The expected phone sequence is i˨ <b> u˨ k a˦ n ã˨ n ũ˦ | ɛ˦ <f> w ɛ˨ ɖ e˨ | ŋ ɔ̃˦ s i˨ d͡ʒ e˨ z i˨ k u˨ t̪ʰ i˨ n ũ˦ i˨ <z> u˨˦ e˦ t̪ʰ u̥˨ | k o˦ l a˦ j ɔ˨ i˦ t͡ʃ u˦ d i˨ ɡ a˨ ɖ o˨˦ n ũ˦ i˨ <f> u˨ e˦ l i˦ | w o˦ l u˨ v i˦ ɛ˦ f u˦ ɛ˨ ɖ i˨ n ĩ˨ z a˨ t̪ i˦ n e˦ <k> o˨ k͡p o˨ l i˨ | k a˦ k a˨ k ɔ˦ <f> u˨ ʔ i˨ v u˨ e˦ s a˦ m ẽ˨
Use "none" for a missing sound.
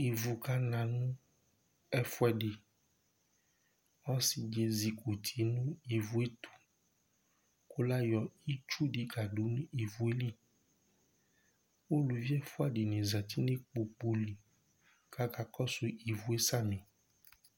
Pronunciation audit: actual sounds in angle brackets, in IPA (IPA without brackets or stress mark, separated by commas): v, f, v, v, k͡p, s